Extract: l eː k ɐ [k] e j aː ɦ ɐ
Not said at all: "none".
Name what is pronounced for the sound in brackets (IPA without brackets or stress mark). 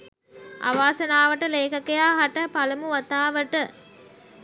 k